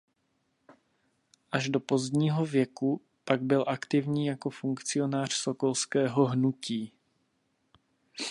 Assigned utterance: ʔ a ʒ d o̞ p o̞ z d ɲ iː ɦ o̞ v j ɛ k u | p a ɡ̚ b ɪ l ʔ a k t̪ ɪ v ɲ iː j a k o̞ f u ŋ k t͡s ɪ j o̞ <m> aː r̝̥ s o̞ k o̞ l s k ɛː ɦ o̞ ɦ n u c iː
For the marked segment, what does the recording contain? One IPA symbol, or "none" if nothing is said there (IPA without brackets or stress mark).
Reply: n